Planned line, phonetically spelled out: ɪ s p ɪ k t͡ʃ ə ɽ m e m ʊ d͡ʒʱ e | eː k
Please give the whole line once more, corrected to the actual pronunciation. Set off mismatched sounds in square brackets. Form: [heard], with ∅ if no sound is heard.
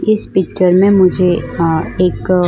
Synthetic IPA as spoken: ɪ s p ɪ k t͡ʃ ə [ɾ] m [ẽ] m ʊ d͡ʒʱ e | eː k